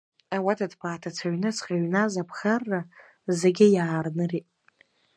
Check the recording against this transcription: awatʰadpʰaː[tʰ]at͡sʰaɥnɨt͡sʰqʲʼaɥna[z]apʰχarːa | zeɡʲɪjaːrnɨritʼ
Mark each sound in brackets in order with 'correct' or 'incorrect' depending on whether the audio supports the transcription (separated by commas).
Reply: correct, correct